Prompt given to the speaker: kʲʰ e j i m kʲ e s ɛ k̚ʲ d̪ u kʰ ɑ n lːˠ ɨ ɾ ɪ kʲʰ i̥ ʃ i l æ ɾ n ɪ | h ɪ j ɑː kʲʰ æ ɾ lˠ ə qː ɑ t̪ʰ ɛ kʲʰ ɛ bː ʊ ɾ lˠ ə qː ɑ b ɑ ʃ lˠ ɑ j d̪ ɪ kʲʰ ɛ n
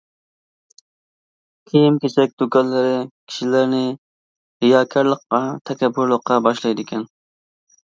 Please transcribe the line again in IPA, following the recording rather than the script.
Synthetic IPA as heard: kʲʰ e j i m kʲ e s ɛ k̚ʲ d̪ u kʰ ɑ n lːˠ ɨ ɾ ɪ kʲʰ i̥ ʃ i l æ ɾ n ɪ | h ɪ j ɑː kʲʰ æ ɾ lˠ ə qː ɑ t̪ʰ ɛ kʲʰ ɛ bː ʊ ɾ lˠ ə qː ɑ b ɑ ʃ lˠ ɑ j d̪ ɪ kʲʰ ɛ n

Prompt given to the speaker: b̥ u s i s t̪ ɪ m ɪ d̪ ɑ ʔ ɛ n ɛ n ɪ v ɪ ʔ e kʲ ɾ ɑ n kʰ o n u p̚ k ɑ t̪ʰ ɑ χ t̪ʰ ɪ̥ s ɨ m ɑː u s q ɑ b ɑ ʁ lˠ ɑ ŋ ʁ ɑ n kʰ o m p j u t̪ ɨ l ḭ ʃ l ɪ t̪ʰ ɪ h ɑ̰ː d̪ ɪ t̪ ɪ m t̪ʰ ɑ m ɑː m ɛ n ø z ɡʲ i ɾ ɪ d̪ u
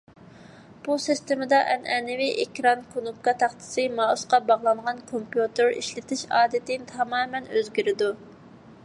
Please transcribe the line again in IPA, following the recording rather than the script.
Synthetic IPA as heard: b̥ u s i s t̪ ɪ m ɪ d̪ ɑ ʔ ɛ n ɛ n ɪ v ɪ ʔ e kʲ ɾ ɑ n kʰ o n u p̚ k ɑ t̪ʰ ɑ χ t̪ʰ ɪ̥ s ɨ m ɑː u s q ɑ b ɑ ʁ lˠ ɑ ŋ ʁ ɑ n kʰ o m p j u t̪ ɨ ɾ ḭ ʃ l ɪ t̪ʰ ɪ ʃ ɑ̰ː d̪ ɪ t̪ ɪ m t̪ʰ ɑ m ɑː m ɛ n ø z ɡʲ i ɾ ɪ d̪ u

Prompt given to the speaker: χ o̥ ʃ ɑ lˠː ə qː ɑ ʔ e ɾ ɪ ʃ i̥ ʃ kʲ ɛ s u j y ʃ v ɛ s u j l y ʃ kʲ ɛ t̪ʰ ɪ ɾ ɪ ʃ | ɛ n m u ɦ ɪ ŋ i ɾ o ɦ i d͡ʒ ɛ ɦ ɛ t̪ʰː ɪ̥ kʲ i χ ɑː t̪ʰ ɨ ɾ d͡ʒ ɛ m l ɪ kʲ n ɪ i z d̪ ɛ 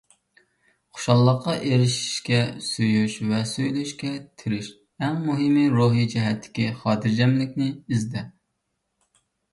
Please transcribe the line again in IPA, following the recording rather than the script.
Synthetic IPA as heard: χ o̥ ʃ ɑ lˠː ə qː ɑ ʔ e ɾ ɪ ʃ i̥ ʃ kʲ ɛ s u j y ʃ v ɛ s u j l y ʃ kʲ ɛ t̪ʰ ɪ ɾ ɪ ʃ | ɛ ŋ m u ɦ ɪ m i ɾ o ɦ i d͡ʒ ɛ ɦ ɛ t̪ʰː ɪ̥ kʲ i χ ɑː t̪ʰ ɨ ɾ d͡ʒ ɛ m l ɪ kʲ n ɪ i z d̪ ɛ

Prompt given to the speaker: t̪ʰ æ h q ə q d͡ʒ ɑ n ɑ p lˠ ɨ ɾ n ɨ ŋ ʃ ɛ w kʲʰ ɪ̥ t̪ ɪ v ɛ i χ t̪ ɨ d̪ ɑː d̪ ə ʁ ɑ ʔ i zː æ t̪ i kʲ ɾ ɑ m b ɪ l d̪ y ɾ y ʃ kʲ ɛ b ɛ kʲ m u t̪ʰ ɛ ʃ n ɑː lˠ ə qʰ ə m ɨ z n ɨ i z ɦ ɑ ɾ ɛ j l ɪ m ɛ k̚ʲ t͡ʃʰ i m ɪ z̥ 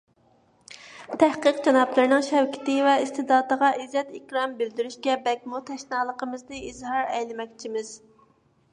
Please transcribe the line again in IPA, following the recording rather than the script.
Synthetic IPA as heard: t̪ʰ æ h q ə q d͡ʒ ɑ n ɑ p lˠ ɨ ɾ n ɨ ŋ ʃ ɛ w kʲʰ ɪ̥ t̪ ɪ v ɛ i s t̪ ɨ d̪ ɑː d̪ ə ʁ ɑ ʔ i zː ɛ t̪ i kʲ ɾ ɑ m b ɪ l d̪ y ɾ y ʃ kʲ ɛ b ɛ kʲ m u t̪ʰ ɛ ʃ n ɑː lˠ ə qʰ ə m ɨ z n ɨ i z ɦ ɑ ɾ ɛ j l ɪ m ɛ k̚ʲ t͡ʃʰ i m ɪ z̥

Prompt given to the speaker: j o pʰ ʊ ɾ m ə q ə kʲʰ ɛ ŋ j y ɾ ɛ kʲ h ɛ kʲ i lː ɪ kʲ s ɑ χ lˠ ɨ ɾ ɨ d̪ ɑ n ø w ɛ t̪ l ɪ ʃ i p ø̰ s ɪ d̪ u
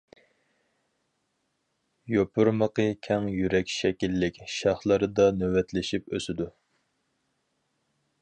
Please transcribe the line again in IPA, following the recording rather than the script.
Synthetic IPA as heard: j o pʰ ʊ ɾ m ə q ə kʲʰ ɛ ŋ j y ɾ ɛ kʲ ʃ ɛ kʲ i lː ɪ kʲ ʃ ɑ χ lˠ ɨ ɾ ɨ d̪ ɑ n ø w ɛ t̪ l ɪ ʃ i p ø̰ s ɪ d̪ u

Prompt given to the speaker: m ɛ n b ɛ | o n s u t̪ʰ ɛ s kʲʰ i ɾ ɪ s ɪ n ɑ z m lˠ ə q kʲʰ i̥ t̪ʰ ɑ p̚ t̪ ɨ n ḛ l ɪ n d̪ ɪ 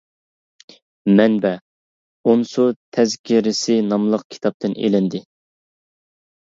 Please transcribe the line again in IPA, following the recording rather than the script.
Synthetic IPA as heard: m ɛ n b ɛ | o n s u t̪ʰ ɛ z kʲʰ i ɾ ɪ s ɪ n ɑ m lˠ ə q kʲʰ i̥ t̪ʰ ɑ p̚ t̪ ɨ n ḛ l ɪ n d̪ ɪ

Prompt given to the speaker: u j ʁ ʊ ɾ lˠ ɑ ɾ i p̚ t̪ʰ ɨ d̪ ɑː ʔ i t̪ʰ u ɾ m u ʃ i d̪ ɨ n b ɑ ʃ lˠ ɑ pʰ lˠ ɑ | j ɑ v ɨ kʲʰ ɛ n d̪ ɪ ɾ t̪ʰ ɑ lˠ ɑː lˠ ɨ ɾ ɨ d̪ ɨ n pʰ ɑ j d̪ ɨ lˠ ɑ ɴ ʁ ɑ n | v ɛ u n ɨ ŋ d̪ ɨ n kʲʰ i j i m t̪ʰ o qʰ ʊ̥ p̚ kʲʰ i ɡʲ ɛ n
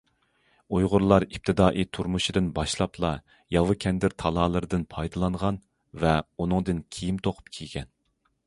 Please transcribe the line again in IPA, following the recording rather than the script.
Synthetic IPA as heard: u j ʁ ʊ ɾ lˠ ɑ ɾ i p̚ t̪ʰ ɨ d̪ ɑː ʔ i t̪ʰ u ɾ m u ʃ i d̪ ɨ n b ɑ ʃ lˠ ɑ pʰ lˠ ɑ | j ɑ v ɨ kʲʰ ɛ n d̪ ɪ ɾ t̪ʰ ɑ lˠ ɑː lˠ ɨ ɾ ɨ d̪ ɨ n pʰ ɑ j d̪ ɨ lˠ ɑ ɴ ʁ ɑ n | v ɛ u n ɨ ŋ d̪ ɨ n kʲʰ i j i m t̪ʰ o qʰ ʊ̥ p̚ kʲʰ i ɡʲ ɛ n

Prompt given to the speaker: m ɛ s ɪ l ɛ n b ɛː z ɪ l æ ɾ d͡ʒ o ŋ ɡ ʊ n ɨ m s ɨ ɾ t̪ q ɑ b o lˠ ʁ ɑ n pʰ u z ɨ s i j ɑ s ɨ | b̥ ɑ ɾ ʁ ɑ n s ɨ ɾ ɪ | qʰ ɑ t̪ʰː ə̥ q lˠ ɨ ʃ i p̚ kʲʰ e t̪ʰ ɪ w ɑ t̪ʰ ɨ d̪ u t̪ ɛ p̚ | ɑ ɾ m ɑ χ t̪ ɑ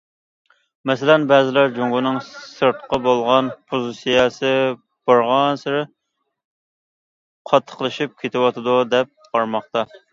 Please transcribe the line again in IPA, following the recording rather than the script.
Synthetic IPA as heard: m ɛ s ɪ l ɛ n b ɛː z ɪ l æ ɾ d͡ʒ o ŋ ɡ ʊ n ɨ ŋ s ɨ ɾ t̪ q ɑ b o lˠ ʁ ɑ n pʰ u z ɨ s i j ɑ s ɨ | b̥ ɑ ɾ ʁ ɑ n s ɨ ɾ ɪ | qʰ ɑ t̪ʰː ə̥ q lˠ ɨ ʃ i p̚ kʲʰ e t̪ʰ ɪ w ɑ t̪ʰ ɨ d̪ u d̪ ɛ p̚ | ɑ ɾ m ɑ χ t̪ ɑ

